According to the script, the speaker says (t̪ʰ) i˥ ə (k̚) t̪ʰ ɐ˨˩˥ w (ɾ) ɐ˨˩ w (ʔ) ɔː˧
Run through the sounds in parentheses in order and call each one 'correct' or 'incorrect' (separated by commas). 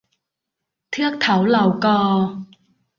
correct, correct, incorrect, incorrect